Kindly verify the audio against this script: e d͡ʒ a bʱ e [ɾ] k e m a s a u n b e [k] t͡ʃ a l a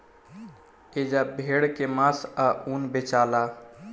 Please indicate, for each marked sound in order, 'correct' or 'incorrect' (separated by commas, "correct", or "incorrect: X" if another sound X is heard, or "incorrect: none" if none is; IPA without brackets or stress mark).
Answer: incorrect: ɽ, incorrect: none